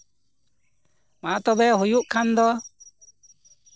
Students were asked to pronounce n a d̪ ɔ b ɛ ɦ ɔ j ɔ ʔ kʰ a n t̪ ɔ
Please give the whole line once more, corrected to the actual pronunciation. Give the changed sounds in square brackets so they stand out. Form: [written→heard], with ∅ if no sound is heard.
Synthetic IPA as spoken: [n→m] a [d̪→t̪] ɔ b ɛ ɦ [ɔ→u] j [ɔ→u] ʔ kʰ a n [t̪→d̪] ɔ